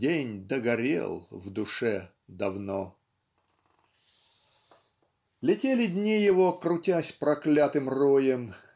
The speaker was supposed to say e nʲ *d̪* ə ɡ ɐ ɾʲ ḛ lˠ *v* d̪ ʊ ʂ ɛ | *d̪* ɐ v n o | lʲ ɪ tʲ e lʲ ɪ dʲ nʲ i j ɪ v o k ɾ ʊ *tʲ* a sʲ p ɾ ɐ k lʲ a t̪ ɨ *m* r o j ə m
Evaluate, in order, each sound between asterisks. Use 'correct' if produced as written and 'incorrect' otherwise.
correct, correct, correct, correct, correct

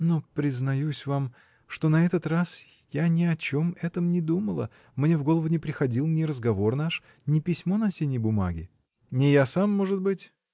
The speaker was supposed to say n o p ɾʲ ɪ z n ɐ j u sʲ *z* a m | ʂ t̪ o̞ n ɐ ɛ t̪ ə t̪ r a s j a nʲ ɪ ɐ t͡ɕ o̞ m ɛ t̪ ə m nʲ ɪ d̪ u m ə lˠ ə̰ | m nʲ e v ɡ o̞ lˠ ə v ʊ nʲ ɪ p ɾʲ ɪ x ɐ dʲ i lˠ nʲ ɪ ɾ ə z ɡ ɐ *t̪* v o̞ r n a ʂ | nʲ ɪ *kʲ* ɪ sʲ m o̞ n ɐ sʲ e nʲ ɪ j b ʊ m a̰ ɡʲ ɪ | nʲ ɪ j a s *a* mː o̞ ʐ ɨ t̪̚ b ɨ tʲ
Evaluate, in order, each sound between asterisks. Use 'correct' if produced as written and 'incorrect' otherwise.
incorrect: v, incorrect: none, incorrect: pʲ, correct

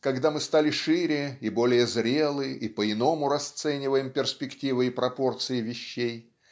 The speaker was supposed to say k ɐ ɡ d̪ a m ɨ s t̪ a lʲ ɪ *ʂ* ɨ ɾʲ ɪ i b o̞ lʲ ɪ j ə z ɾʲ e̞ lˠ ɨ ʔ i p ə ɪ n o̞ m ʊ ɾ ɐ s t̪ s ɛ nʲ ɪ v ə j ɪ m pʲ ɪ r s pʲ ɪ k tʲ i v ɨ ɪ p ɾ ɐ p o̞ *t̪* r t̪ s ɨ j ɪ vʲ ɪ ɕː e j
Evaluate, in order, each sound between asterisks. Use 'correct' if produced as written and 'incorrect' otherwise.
correct, incorrect: none

